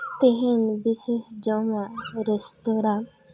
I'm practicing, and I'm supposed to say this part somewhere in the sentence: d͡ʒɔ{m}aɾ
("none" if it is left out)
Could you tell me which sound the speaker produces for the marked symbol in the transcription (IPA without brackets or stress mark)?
m